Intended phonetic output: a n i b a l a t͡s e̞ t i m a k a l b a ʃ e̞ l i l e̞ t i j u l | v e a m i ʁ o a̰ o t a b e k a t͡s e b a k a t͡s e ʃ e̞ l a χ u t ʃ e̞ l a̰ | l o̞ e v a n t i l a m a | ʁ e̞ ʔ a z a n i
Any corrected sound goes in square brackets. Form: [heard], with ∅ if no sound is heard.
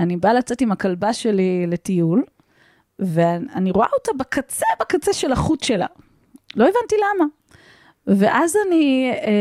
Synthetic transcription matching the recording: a n i b a l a t͡s e̞ t i m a k a l b a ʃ e̞ l i l e̞ t i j u l | v e a [n] i ʁ o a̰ o t a b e k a t͡s e b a k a t͡s e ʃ e̞ l a χ u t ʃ e̞ l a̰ | l o̞ e v a n t i l a m a | [v] e̞ ʔ a z a n i